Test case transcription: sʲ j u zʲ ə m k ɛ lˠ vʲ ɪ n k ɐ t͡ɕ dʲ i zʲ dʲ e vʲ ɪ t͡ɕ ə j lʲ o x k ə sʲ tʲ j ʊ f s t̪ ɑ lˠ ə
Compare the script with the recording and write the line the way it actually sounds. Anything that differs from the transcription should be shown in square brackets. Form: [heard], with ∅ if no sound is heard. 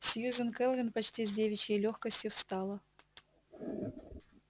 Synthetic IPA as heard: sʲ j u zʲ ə [n] k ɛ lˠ vʲ ɪ n [p] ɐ t͡ɕ [tʲ] i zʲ dʲ e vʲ ɪ t͡ɕ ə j lʲ o x k ə sʲ tʲ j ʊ f s t̪ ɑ lˠ ə

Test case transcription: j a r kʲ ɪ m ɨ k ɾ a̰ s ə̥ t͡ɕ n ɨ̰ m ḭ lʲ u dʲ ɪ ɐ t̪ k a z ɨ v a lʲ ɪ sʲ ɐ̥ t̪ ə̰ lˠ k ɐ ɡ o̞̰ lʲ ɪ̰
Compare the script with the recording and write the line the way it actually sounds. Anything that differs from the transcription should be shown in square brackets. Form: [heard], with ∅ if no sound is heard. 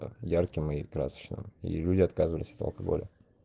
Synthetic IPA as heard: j a r kʲ ɪ m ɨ k ɾ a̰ s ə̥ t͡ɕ n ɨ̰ m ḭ lʲ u dʲ ɪ ɐ t̪ k a z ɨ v [ə] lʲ ɪ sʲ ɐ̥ t̪ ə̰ lˠ k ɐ ɡ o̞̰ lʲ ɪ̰

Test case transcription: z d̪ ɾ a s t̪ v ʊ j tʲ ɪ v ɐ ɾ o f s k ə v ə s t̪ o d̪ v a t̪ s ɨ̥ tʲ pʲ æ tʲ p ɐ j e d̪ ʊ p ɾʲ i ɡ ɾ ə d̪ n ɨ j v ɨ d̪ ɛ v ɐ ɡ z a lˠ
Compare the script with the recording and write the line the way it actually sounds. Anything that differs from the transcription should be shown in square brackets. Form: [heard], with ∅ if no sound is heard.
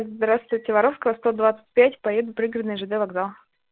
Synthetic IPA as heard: z d̪ ɾ a s t̪ v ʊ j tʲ ɪ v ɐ ɾ o f s k ə v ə s t̪ o d̪ v a t̪ s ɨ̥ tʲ pʲ æ tʲ p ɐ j e d̪ ʊ p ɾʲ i ɡ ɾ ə d̪ n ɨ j [ʐ] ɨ d̪ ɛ v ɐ ɡ z a lˠ

